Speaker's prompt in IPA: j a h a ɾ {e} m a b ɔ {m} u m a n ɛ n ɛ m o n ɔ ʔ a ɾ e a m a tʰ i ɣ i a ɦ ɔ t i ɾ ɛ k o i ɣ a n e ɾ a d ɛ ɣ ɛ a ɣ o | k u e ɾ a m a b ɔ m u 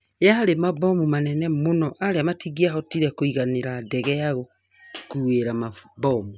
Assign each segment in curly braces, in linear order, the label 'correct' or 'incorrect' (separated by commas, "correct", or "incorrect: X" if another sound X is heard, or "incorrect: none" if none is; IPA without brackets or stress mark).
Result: correct, correct